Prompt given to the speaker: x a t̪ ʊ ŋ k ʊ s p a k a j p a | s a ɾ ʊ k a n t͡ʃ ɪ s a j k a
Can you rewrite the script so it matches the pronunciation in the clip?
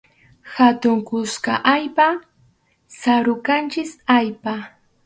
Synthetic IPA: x a t̪ ʊ ŋ k ʊ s k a ʔ a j p a | s a ɾ ʊ k a n t͡ʃ ɪ s a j p a